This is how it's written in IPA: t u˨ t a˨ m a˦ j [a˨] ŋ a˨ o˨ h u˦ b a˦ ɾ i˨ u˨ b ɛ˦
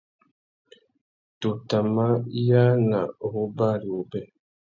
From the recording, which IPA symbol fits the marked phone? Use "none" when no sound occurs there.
a˦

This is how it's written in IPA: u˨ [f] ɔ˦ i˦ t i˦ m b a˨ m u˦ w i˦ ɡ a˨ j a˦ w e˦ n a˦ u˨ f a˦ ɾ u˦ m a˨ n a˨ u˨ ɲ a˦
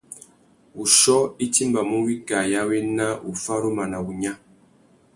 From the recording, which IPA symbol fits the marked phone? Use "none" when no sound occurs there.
ʃ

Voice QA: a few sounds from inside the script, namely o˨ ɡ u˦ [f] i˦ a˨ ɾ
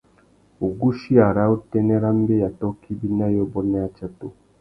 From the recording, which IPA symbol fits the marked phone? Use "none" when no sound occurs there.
ʃ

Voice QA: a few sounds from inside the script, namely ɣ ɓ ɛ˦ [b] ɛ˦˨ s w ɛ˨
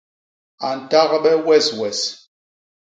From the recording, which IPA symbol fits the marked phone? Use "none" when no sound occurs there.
w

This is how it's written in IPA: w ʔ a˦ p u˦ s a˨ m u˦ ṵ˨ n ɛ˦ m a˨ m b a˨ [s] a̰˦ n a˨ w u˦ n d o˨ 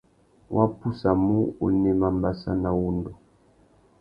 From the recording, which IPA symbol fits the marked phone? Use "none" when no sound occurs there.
s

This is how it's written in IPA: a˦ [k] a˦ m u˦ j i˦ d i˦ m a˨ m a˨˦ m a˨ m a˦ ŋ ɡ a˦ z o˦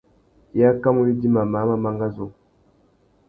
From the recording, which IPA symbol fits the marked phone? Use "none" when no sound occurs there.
k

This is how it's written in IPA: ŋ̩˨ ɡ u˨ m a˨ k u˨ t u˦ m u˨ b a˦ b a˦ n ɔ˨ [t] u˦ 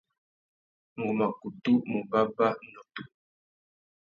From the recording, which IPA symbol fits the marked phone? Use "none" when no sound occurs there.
t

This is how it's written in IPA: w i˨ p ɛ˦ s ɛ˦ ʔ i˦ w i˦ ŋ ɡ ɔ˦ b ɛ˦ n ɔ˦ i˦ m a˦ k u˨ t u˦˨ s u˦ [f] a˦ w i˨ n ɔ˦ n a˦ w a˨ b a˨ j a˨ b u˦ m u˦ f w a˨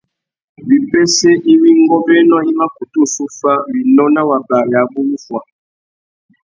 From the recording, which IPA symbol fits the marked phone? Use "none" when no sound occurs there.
f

